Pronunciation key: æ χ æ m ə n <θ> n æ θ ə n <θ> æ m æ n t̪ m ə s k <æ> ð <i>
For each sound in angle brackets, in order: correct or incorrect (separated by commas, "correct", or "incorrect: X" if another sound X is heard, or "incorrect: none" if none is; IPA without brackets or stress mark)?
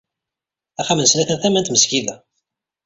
incorrect: s, correct, incorrect: i, incorrect: æ